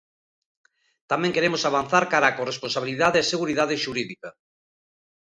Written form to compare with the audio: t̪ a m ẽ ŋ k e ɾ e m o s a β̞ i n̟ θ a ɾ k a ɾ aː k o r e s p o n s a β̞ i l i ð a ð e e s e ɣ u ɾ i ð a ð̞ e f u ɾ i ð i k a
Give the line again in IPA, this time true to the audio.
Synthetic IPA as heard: t̪ a m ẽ ŋ k e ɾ e m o s a β̞ a n̟ θ a ɾ k a ɾ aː k o r e s p o n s a β̞ i l i ð a ð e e s e ɣ u ɾ i ð a ð̞ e ʃ u ɾ i ð i k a